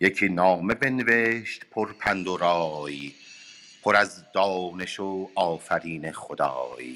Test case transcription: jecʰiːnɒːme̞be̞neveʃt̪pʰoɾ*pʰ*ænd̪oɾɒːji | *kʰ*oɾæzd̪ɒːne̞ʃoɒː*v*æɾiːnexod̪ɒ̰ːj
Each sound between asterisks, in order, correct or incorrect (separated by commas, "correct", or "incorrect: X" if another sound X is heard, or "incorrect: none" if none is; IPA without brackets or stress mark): correct, incorrect: pʰ, incorrect: f